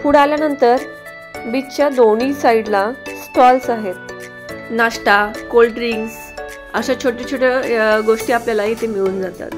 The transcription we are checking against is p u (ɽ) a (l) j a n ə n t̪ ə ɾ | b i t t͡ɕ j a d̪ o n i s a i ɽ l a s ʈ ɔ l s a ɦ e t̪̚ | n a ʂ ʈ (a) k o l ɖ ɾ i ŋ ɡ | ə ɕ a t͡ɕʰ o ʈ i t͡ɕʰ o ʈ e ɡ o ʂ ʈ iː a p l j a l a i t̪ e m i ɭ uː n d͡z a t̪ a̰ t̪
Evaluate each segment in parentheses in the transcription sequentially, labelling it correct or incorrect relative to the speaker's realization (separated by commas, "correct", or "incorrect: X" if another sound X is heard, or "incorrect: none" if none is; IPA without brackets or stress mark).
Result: correct, correct, correct